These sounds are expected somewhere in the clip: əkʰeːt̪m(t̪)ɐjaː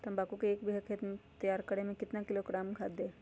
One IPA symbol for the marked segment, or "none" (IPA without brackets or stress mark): t̪